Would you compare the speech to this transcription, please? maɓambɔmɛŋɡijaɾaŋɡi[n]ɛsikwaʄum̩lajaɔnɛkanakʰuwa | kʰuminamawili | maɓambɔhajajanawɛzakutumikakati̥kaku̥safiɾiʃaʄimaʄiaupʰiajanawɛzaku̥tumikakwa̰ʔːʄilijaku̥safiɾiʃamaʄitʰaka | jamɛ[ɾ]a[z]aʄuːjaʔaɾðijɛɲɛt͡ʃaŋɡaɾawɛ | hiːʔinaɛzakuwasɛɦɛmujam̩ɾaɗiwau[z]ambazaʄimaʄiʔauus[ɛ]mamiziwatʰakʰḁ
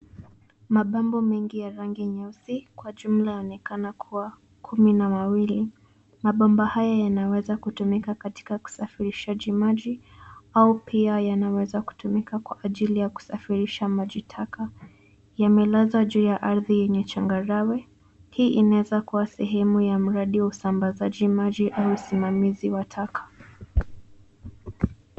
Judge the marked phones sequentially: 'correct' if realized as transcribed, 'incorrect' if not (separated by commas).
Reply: incorrect, incorrect, correct, incorrect, incorrect